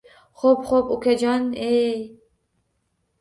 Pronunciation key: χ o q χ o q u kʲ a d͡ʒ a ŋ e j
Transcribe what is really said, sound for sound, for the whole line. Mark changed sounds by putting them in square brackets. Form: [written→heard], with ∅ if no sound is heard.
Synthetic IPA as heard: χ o [q→p] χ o [q→p] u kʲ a d͡ʒ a [ŋ→n] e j